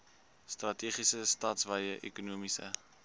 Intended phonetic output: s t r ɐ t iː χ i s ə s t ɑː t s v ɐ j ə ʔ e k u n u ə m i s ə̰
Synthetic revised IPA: s t r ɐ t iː χ i s ə s t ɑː t s v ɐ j ə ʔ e k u n u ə m i s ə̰

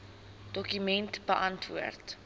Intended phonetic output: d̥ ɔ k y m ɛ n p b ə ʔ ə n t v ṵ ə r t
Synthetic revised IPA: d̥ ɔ k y m ɛ n t b ə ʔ ɐ n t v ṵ ə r t

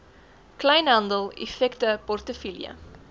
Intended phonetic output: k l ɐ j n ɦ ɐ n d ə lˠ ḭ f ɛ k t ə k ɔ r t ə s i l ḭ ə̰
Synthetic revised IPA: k l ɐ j n ɦ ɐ n d ə lˠ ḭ f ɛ k t ə p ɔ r t ə f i l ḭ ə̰

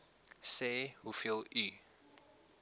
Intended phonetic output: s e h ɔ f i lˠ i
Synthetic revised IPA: s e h u f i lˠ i

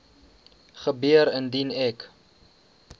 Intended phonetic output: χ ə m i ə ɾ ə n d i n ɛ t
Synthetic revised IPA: χ ə b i ə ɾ ə n d i n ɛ k

